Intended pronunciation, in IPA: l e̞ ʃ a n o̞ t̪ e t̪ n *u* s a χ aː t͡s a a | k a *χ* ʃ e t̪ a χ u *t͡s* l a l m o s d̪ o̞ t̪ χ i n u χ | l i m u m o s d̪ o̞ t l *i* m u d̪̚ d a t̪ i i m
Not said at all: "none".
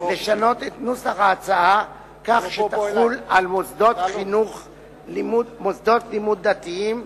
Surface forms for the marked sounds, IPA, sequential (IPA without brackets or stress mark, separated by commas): u, χ, none, i